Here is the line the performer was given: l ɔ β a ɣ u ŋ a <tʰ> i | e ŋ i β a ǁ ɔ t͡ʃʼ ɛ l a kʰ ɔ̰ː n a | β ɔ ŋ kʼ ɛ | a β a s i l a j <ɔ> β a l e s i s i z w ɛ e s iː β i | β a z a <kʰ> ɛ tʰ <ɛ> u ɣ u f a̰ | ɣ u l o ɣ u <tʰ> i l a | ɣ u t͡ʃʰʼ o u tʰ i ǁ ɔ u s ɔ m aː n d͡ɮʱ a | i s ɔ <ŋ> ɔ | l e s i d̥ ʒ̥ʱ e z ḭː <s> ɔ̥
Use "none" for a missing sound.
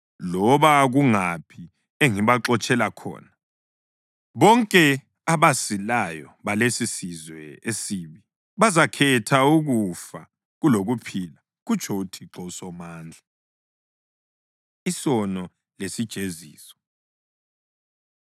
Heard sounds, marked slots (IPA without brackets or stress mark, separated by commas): pʰ, ɔ, kʰ, a, pʰ, n, s